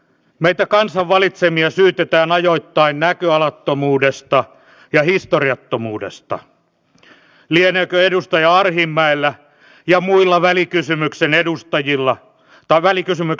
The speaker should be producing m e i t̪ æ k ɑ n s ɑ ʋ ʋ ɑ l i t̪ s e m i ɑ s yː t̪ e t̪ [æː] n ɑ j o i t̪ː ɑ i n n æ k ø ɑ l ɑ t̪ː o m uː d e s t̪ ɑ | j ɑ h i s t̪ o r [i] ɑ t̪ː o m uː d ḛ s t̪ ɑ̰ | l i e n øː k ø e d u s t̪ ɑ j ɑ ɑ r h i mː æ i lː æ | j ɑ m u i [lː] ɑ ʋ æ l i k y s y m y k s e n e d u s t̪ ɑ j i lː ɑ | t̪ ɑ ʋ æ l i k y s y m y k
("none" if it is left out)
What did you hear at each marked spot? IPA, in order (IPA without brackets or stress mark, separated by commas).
æː, i, lː